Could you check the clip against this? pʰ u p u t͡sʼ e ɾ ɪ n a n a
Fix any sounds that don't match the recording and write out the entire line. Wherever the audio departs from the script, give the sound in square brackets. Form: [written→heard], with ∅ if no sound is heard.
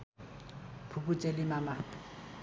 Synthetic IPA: pʰ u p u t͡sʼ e [ɾ→l] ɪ [n→m] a [n→m] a